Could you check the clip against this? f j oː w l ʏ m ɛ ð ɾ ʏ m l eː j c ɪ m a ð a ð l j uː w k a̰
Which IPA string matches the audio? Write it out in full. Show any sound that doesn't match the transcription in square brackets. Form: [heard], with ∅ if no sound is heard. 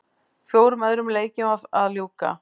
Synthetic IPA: f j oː w [ɾ] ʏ m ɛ ð ɾ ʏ m l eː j c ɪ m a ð a ð l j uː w k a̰

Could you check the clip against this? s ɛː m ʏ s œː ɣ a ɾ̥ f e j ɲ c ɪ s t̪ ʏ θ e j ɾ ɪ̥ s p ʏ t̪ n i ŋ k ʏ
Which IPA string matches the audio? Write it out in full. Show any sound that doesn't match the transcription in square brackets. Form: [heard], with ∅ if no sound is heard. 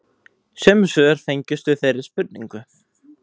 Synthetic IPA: s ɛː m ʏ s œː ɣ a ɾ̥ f e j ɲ c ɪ s t̪ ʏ θ e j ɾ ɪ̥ s p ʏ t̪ n i ŋ k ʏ

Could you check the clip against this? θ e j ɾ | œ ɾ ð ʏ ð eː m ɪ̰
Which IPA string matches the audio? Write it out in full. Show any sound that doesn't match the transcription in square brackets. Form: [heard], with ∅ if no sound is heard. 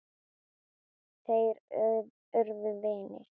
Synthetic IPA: θ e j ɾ | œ ɾ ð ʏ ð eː [n] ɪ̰

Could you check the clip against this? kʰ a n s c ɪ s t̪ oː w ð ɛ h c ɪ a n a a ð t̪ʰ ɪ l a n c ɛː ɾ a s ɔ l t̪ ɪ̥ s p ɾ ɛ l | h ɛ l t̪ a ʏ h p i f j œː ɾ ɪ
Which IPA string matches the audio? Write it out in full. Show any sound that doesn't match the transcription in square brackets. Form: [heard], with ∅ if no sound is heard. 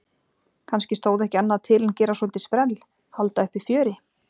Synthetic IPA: kʰ a n s c ɪ s t̪ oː w ð ɛ h c ɪ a [nː] a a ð t̪ʰ ɪ l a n c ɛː ɾ a s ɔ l t̪ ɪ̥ s p ɾ ɛ l | h [a] l t̪ a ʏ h p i f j œː ɾ ɪ

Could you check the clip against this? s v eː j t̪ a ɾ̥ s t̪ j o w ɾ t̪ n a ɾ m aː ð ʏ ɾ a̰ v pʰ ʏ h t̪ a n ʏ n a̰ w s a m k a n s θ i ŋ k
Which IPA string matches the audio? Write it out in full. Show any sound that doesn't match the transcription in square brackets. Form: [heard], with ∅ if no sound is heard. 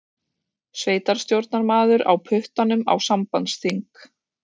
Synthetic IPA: s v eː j t̪ a ɾ̥ s t̪ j o w ɾ t̪ n a ɾ m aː ð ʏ ɾ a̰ [w] pʰ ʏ h t̪ a n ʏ [m] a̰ w s a m [p] a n s θ i ŋ k

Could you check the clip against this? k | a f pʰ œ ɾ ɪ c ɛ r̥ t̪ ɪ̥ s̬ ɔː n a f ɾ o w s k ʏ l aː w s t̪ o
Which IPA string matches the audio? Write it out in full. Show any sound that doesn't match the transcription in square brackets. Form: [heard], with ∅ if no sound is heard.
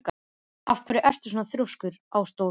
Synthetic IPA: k | a f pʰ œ ɾ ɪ [ʔ] ɛ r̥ t̪ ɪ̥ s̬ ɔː n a [θ] ɾ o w s k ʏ [ɾ] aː w s t̪ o

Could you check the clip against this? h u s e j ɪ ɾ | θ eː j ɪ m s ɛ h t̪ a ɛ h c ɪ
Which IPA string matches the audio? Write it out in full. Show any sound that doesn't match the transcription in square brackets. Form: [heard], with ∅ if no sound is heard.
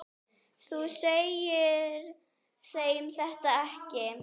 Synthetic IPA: [θ] u s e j ɪ ɾ | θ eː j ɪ m [θ] ɛ h t̪ a ɛ h c ɪ

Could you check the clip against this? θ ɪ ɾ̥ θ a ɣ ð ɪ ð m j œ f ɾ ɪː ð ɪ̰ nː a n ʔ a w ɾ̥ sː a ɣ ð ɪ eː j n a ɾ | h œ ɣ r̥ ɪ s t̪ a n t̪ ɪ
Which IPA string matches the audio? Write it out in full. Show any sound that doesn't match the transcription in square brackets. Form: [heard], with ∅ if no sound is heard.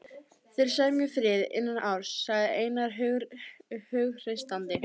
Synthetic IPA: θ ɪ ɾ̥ [s] a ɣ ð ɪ [∅] m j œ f ɾ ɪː ð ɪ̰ nː a n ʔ a w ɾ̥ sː a ɣ ð ɪ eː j n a ɾ | h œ ɣ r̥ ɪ s t̪ a n t̪ ɪ

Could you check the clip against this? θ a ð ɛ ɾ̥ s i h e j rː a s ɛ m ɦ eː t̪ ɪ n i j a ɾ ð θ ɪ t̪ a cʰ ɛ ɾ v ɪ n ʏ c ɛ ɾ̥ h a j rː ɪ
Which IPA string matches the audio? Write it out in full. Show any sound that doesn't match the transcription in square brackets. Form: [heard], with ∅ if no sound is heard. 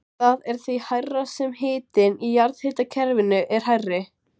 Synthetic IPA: θ a ð ɛ ɾ̥ [θ] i h [a] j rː a s ɛ m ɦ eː t̪ ɪ n i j a ɾ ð [h] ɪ t̪ a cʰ ɛ ɾ v ɪ n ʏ [ʔ] ɛ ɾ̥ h a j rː ɪ

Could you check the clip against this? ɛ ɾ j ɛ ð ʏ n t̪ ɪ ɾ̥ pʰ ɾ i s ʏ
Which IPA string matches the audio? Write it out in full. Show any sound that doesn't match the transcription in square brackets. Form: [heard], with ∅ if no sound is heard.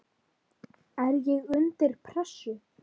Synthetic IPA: ɛ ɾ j ɛ [ɣ] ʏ n t̪ ɪ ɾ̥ pʰ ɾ [ɛ] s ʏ

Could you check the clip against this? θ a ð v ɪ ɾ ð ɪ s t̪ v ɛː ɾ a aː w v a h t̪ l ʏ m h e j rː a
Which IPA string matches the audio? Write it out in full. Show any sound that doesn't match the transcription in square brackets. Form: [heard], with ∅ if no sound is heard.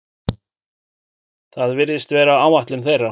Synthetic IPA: θ a ð v ɪ ɾ ð ɪ s t̪ v ɛː ɾ a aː w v a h t̪ l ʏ m [θ] e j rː a

